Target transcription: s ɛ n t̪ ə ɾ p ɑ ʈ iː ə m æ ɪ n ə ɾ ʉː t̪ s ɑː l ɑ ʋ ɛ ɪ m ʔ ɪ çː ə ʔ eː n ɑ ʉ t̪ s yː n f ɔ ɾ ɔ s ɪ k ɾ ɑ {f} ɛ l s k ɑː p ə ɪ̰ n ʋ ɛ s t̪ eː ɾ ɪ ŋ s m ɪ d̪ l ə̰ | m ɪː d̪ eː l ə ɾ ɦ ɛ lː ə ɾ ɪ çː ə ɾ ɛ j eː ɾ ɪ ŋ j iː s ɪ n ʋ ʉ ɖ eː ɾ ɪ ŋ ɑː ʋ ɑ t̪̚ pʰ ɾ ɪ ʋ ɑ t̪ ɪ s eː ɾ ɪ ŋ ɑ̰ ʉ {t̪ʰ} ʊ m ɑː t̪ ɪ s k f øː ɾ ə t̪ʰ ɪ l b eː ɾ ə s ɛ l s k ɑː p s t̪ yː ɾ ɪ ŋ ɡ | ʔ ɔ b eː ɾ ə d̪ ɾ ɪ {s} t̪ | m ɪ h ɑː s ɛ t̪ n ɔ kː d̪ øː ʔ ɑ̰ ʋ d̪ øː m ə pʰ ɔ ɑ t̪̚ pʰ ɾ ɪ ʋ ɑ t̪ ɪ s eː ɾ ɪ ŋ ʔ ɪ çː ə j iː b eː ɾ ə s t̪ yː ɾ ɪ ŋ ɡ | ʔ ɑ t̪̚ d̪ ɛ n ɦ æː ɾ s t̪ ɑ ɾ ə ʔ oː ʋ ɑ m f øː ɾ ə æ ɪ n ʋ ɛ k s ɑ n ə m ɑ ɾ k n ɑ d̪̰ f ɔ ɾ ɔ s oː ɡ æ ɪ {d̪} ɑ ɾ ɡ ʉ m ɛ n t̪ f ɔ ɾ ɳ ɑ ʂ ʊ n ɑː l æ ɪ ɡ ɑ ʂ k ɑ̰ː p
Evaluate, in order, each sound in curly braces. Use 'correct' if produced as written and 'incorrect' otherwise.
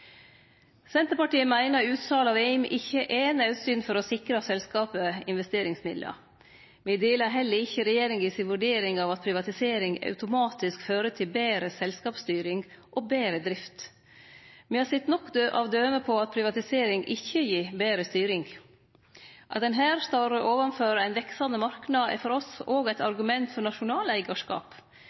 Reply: incorrect, incorrect, incorrect, incorrect

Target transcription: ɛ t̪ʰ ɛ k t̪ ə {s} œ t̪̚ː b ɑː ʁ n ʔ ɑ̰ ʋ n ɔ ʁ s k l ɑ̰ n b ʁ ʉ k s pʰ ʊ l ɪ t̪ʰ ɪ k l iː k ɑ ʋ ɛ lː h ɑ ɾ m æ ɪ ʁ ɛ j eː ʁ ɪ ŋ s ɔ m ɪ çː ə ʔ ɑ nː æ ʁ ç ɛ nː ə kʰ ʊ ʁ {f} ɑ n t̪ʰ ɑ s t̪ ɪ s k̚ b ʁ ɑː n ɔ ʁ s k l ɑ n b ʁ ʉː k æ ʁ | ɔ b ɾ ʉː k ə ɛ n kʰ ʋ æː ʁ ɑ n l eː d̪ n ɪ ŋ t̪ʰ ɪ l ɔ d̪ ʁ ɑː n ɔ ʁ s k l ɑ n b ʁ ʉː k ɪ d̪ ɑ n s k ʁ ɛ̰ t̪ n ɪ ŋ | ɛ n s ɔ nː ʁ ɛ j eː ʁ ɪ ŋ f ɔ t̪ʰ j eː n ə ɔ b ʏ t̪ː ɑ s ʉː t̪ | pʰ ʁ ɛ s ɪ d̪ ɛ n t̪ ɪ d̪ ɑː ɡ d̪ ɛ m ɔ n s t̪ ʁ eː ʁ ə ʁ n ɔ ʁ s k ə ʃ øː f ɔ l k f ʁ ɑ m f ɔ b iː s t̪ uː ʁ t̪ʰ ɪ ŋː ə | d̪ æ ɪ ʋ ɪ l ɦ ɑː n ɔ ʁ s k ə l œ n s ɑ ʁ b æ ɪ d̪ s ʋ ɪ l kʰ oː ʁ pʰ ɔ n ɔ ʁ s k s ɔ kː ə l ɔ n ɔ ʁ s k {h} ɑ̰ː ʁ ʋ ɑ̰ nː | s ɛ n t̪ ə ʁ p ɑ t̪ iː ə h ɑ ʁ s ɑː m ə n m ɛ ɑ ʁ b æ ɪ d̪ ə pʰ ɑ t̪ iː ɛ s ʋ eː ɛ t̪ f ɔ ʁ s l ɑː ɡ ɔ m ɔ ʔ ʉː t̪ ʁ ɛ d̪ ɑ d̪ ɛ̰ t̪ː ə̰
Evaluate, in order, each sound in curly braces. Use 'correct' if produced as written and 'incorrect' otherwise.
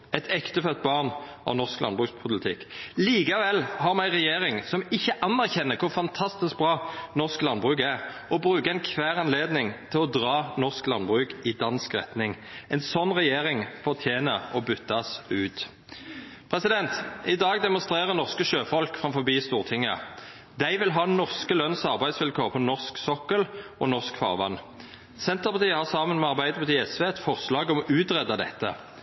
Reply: incorrect, correct, incorrect

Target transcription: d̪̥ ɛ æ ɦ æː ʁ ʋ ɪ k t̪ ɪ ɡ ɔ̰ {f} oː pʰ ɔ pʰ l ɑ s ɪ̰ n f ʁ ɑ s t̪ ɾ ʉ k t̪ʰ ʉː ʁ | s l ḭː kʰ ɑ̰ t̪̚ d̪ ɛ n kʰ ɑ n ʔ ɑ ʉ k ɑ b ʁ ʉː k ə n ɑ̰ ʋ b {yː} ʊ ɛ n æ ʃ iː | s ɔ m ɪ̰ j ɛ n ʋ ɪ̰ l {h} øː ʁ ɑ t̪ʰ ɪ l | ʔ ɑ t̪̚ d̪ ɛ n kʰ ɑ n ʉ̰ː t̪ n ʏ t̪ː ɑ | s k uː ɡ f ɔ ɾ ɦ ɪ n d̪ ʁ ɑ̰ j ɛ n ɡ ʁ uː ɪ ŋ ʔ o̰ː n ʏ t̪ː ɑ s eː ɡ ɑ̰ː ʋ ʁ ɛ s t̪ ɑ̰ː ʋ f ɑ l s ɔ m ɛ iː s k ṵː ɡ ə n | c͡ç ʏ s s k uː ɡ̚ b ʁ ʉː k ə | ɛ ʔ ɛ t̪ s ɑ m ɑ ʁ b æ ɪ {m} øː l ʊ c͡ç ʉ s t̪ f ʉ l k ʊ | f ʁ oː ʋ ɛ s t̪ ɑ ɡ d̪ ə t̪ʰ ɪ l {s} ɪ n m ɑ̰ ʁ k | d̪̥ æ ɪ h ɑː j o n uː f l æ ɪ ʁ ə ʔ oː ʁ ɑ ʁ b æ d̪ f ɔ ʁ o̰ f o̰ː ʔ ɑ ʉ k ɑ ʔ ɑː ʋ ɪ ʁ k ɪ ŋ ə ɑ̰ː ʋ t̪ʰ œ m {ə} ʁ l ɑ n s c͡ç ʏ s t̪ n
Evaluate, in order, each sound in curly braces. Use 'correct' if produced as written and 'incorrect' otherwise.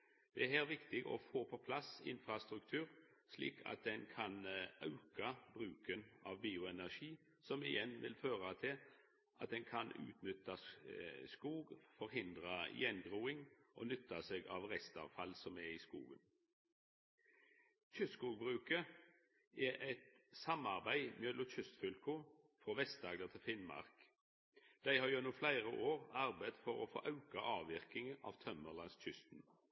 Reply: correct, incorrect, incorrect, correct, incorrect, correct

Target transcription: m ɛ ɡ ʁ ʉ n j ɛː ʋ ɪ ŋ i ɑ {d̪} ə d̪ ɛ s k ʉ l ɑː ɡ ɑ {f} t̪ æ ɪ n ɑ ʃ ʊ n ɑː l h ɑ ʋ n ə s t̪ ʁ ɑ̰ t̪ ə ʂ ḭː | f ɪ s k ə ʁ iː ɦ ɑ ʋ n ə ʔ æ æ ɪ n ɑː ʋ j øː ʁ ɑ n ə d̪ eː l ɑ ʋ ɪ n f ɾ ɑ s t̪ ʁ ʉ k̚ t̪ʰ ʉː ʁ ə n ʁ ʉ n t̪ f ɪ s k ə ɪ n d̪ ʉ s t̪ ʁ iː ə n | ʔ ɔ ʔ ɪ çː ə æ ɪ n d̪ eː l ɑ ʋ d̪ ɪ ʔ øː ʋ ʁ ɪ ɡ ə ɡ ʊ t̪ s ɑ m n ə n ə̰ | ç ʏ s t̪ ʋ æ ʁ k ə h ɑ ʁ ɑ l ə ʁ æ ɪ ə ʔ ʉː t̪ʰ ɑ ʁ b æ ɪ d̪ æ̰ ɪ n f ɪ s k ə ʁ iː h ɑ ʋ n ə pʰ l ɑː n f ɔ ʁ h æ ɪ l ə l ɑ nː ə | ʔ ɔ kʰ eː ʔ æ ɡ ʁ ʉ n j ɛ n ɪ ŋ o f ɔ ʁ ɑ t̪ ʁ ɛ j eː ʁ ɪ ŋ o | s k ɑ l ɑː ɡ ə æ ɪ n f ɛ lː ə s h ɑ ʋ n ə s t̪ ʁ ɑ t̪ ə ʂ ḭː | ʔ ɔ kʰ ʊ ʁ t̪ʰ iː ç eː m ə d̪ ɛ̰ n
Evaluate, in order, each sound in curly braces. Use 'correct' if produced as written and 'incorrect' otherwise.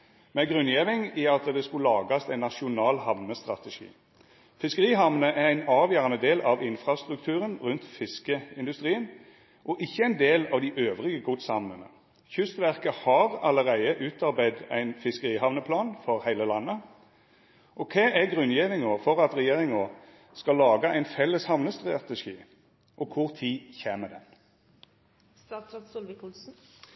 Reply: incorrect, incorrect

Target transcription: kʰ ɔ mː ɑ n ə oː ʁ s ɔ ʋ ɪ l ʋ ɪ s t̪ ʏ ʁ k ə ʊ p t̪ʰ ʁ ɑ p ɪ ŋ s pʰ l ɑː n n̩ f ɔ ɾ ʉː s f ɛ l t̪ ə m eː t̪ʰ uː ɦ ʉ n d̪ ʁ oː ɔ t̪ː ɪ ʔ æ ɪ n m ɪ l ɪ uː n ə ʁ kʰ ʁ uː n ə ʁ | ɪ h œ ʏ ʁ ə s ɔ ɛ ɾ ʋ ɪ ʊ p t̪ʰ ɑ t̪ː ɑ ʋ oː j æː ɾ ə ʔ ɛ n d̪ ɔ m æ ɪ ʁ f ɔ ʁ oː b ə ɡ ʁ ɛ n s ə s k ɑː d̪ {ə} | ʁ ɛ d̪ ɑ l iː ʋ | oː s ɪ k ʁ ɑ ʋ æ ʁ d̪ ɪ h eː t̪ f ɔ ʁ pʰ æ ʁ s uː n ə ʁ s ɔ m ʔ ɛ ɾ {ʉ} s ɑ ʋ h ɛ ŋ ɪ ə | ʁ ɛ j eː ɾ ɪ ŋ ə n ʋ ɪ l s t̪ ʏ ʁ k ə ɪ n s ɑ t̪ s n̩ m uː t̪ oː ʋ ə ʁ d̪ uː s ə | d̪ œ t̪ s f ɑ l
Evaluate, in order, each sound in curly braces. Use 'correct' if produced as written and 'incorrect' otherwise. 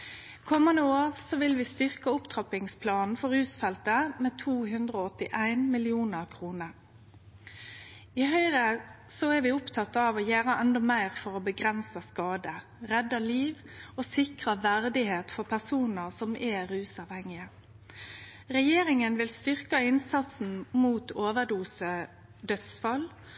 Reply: correct, incorrect

